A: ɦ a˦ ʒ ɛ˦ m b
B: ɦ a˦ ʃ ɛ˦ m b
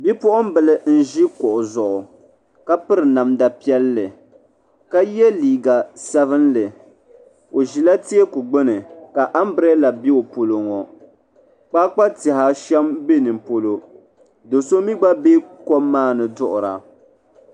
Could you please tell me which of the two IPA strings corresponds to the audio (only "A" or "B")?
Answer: B